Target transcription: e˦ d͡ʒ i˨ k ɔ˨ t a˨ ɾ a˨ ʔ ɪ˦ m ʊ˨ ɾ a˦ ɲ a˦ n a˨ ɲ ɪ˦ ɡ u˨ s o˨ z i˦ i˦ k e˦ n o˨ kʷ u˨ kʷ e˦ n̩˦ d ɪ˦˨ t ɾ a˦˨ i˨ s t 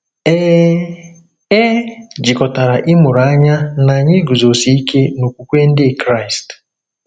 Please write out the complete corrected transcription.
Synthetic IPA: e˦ d͡ʒ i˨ k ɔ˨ t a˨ ɾ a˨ ʔ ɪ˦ m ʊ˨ ɾ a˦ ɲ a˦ n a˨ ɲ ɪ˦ ɡ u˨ z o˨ s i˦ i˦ k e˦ n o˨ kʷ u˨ kʷ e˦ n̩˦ d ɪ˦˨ k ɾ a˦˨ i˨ s t

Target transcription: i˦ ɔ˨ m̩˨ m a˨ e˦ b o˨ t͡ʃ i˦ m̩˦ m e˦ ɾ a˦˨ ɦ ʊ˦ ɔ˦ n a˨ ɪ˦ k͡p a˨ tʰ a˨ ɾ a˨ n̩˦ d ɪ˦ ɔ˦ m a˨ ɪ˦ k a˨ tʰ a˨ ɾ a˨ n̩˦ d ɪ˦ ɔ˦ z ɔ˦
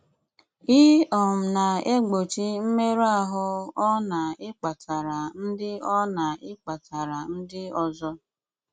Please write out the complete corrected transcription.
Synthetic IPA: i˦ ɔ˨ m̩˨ n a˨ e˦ ɡ͡b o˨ t͡ʃ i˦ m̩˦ m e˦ ɾ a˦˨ ɦ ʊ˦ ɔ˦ n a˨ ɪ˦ k͡p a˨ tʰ a˨ ɾ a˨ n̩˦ d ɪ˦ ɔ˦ n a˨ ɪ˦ k͡p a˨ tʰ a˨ ɾ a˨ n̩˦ d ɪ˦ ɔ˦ z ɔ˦

